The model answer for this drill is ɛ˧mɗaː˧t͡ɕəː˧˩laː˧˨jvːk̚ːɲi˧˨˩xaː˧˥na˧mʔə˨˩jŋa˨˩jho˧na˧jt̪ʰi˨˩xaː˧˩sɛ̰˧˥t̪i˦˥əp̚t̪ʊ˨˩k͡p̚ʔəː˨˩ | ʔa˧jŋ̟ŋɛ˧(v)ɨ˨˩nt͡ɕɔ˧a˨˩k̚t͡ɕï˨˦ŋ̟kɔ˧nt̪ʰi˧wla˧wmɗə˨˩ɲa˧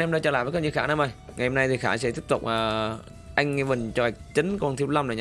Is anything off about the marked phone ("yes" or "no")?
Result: no